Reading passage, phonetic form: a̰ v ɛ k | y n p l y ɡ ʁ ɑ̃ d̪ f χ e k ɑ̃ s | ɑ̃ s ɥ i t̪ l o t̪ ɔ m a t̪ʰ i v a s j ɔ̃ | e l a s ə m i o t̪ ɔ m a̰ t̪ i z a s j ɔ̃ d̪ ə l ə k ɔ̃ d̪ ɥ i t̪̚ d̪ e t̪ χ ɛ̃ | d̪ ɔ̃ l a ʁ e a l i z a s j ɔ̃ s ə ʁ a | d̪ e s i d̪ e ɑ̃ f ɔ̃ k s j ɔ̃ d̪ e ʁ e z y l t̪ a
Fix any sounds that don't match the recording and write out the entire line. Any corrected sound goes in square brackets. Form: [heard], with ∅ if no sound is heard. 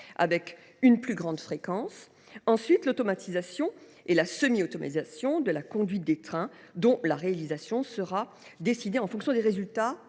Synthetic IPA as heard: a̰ v ɛ k | y n p l y ɡ ʁ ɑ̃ d̪ f χ e k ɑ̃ s | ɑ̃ s ɥ i t̪ l o t̪ ɔ m a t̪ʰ i [z] a s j ɔ̃ | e l a s ə m i o t̪ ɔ m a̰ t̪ i z a s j ɔ̃ d̪ ə l [a] k ɔ̃ d̪ ɥ i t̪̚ d̪ e t̪ χ ɛ̃ | d̪ ɔ̃ l a ʁ e a l i z a s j ɔ̃ s ə ʁ a | d̪ e s i d̪ e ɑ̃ f ɔ̃ k s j ɔ̃ d̪ e ʁ e z y l t̪ a

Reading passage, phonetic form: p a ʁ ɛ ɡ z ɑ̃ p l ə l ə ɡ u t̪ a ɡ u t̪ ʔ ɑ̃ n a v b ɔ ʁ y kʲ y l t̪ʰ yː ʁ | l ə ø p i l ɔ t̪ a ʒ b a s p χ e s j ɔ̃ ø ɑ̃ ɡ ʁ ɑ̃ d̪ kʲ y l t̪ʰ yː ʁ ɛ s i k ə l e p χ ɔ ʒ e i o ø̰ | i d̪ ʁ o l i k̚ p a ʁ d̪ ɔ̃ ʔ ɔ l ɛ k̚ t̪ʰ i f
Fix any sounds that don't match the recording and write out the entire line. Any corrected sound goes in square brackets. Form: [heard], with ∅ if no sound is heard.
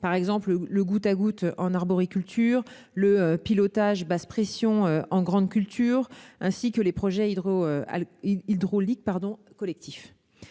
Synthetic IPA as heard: p a ʁ ɛ ɡ z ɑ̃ p l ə l ə ɡ u t̪ a ɡ u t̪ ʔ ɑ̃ n a [ʁ] b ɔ ʁ [i] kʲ y l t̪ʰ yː ʁ | l ə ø p i l ɔ t̪ a ʒ b a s p χ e s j ɔ̃ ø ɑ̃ ɡ ʁ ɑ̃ d̪ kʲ y l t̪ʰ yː ʁ [ɛ̃] s i k ə l e p χ ɔ ʒ [ɛ] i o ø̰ | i d̪ ʁ o l i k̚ p a ʁ d̪ ɔ̃ [k] ɔ l ɛ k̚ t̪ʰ i f

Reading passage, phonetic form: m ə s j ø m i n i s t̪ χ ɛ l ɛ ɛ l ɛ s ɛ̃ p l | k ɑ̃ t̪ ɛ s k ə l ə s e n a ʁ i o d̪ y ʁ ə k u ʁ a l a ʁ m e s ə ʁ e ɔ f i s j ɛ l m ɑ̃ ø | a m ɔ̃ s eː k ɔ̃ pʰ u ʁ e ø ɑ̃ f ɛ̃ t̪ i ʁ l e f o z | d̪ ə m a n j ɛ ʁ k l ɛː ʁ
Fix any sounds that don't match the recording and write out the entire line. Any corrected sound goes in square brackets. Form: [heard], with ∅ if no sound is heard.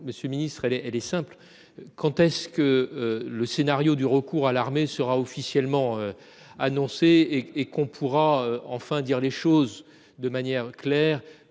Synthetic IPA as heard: m ə s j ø m i n i s t̪ χ ɛ l ɛ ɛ l ɛ s ɛ̃ p l | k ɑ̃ t̪ ɛ s k ə l ə s e n a ʁ [j] o d̪ y ʁ ə k u ʁ a l a ʁ m e s ə ʁ [a] ɔ f i s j ɛ l m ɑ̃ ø | a [n] ɔ̃ s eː k ɔ̃ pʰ u ʁ [a] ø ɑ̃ f ɛ̃ [d̪] i ʁ l e [ʃ] o z | d̪ ə m a n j ɛ ʁ k l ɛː ʁ

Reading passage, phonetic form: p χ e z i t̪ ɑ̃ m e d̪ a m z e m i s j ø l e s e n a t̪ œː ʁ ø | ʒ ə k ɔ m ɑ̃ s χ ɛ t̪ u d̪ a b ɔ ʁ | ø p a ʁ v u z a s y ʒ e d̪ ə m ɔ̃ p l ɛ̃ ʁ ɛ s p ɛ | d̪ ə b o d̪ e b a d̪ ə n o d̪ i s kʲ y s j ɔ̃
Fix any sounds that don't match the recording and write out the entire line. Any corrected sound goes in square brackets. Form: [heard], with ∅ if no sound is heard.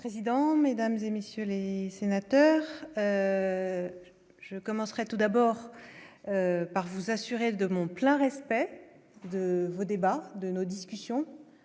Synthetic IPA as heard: p χ e z i [d̪] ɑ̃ m e d̪ a m z e m [e] s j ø l e s e n a t̪ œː ʁ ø | ʒ ə k ɔ m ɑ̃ s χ ɛ t̪ u d̪ a b ɔ ʁ | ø p a ʁ v u z a s y [ʁ] e d̪ ə m ɔ̃ p l ɛ̃ ʁ ɛ s p ɛ | d̪ ə [v] o d̪ e b a d̪ ə n o d̪ i s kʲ y s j ɔ̃

